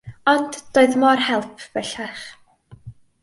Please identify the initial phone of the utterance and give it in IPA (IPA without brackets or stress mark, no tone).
ɔ